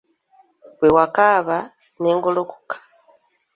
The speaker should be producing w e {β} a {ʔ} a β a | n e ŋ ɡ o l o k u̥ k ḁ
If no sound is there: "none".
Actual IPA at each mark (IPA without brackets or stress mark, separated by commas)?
w, k